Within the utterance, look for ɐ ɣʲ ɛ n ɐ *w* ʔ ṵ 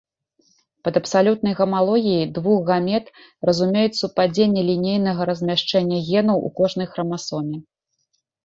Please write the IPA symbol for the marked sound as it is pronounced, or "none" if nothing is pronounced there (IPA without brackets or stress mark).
w